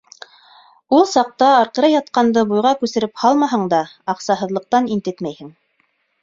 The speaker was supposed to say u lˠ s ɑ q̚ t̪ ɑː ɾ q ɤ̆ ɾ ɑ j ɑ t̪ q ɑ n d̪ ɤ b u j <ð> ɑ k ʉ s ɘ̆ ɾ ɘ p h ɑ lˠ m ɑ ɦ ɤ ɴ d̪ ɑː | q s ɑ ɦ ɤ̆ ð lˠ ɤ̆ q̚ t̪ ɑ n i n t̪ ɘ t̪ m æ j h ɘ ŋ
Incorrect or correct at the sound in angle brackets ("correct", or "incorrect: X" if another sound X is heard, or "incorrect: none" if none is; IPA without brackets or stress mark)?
incorrect: ʁ